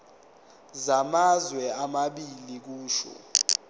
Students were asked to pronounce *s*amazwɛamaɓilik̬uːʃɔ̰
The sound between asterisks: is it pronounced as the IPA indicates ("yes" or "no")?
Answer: no